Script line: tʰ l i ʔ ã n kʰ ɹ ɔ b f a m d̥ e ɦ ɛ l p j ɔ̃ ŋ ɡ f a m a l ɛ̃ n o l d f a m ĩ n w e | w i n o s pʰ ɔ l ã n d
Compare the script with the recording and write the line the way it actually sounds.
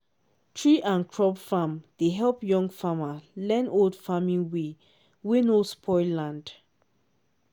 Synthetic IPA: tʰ ɹ i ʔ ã n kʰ ɹ ɔ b f a m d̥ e ɦ ɛ l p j ɔ̃ ŋ ɡ f a m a l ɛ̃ n o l d f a m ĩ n w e | w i n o s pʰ ɔ l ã n d